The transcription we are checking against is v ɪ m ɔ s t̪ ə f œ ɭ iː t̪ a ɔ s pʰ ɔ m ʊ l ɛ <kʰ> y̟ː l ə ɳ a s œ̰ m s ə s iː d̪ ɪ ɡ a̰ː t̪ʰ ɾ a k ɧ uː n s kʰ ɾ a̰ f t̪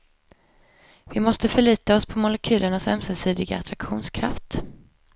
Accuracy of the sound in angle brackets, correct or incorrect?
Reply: correct